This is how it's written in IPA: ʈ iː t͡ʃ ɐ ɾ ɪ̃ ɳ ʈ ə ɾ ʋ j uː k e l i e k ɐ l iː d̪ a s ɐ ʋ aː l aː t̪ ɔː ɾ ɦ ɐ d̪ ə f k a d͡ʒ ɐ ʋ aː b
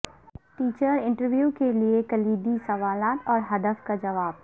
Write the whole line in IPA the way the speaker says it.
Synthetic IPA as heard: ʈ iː t͡ʃ ə ɾ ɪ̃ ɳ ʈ ə ɾ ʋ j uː k e l i e k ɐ l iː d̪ i s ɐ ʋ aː l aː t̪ ɔː ɾ ɦ ɐ d̪ ə f k a d͡ʒ ɐ ʋ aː b

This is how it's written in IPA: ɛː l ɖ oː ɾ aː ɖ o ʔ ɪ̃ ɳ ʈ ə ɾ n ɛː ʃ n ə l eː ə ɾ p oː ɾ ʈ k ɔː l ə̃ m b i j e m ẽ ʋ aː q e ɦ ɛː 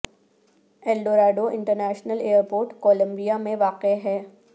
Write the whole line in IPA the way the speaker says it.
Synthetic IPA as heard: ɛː l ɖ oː ɾ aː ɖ o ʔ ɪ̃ ɳ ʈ ə ɾ n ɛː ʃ n ə l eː ə ɾ p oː ɾ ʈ k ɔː l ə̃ m b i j a m ẽ ʋ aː q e ɦ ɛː

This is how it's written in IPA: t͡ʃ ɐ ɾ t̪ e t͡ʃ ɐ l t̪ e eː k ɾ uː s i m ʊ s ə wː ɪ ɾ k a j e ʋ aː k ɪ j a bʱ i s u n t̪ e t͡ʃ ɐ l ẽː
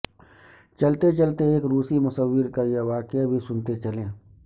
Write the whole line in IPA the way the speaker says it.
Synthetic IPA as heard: t͡ʃ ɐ l t̪ e t͡ʃ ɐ l t̪ e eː k ɾ uː s i m ʊ s ə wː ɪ ɾ k a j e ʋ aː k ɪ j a bʱ i s ʊ n t̪ e t͡ʃ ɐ l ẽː

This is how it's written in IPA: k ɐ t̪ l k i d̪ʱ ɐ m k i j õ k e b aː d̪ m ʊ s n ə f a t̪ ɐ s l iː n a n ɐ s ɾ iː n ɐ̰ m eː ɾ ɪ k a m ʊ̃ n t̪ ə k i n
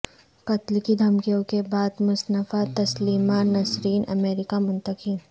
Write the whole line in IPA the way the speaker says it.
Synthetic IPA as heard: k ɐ t̪ l k i d̪ʱ ɐ m k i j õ k e b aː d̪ m ʊ s n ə f a t̪ ɐ s l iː m a n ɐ s ɾ iː n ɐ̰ m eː ɾ ɪ k a m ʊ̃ n t̪ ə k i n

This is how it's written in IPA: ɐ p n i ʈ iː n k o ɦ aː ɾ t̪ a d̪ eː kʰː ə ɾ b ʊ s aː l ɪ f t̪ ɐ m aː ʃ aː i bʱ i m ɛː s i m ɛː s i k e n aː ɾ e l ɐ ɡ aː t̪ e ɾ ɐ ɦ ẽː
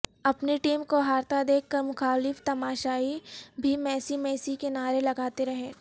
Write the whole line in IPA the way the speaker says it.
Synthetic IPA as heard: ɐ p n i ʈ iː m k o ɦ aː ɾ t̪ a d̪ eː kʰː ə ɾ m ʊ x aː l ɪ f t̪ ɐ m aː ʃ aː i bʱ i m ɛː s i m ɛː s i k e n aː ɾ e l ɐ ɡ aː t̪ e ɾ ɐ ɦ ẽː

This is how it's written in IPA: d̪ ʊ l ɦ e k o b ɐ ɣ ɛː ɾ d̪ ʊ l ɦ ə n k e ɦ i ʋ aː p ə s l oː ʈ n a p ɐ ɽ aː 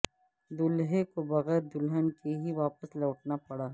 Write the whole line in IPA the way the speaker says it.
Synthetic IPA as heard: d̪ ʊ l ɦ e k o b ɐ ɣ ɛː ɾ d̪ ʊ l ɦ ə n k e ɦ i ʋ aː p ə s l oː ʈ n a p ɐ ɽ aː

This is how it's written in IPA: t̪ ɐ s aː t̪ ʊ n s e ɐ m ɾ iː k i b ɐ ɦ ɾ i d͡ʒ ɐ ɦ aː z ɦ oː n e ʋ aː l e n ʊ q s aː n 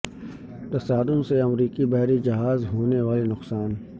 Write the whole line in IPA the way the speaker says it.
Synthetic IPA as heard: t̪ ɐ s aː d̪ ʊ n s e ɐ m ɾ iː k i b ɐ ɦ ɾ i d͡ʒ ɐ ɦ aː z ɦ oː n e ʋ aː l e n ʊ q s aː n

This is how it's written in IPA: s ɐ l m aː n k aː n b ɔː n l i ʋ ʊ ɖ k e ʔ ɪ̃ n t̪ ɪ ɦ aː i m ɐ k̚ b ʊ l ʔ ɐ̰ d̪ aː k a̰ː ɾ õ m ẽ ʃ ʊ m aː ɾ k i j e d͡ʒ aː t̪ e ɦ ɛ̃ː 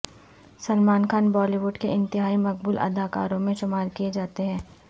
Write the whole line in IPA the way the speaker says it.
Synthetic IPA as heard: s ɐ l m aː n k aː n b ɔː l i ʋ ʊ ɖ k e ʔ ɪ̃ n t̪ ɪ ɦ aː i m ɐ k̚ b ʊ l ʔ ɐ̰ d̪ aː k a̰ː ɾ õ m ẽ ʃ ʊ m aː ɾ k i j e d͡ʒ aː t̪ e ɦ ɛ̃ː

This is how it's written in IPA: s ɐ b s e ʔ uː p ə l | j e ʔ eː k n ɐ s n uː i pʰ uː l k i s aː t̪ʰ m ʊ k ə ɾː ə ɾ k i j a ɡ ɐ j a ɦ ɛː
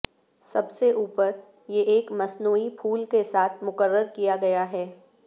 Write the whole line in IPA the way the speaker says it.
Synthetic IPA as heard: s ɐ b s e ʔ uː p ə ɾ | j e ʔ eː k m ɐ s n uː i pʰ uː l k e s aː t̪ʰ m ʊ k ə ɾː ə ɾ k i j a ɡ ɐ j a ɦ ɛː

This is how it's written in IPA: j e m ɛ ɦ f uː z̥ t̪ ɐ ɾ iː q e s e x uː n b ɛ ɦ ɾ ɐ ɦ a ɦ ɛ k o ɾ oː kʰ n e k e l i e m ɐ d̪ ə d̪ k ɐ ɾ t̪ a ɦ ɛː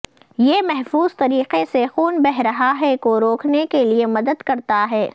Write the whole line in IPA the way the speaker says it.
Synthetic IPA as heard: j e m ɛ ɦ f uː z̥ t̪ ɐ ɾ iː q e s e x uː n b ɛ ɦ ɾ ɐ ɦ a ɦ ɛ k o ɾ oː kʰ n e k e l i e m ɐ d̪ ə d̪ k ɐ ɾ t̪ a ɦ ɛː

